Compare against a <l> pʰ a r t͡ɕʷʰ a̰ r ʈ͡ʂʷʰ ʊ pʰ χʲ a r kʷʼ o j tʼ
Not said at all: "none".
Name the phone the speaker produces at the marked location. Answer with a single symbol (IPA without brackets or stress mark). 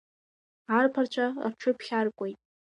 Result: r